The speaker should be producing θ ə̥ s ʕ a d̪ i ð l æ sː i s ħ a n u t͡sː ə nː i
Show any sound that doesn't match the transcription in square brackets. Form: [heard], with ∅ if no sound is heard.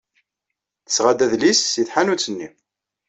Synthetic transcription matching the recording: θ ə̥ s [ʁ] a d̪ [æ] ð l [i] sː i [θ] ħ a n u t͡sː ə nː i